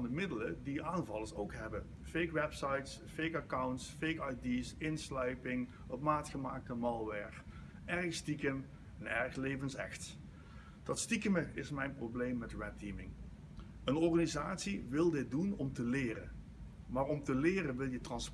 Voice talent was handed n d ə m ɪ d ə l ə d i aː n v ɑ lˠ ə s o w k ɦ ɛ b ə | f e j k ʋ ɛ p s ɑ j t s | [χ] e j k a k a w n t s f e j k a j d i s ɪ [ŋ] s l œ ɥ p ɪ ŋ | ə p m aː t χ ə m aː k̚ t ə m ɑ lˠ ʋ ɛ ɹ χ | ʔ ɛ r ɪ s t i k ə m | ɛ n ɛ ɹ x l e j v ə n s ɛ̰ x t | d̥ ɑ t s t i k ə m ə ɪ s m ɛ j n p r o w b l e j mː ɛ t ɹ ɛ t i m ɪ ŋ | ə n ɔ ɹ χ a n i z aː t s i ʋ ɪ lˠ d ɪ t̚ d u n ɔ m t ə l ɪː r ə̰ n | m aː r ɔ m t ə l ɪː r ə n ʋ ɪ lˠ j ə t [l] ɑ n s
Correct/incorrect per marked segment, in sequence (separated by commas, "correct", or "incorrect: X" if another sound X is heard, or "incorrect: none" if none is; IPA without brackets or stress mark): incorrect: f, incorrect: n, incorrect: r